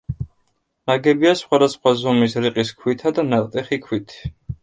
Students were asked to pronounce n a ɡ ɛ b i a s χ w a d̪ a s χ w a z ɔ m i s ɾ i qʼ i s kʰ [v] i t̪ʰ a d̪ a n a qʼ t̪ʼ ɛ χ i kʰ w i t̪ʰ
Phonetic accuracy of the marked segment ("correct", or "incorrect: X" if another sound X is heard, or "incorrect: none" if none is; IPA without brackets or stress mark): incorrect: w